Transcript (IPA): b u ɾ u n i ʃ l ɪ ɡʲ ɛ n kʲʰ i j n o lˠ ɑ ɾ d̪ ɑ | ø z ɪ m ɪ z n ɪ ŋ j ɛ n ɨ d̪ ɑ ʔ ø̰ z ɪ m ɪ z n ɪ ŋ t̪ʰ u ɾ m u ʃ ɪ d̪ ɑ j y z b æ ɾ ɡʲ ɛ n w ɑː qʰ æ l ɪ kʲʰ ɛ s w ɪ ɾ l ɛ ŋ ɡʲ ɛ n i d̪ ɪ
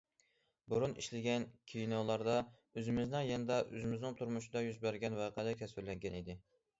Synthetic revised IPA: b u ɾ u n i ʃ l ɪ ɡʲ ɛ n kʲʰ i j n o lˠ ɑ ɾ d̪ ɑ | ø z ɪ m ɪ z n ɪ ŋ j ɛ n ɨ d̪ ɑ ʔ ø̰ z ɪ m ɪ z n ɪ ŋ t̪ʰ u ɾ m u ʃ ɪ d̪ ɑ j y z b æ ɾ ɡʲ ɛ n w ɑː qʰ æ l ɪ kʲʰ ɛ s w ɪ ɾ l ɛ ŋ ɡʲ ɛ n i d̪ ɪ